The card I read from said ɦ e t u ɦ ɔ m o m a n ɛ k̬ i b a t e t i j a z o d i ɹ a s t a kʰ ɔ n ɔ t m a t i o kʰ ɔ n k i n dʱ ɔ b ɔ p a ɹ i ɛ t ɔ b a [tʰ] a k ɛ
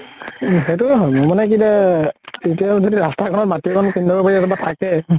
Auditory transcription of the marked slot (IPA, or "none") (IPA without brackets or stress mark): tʰ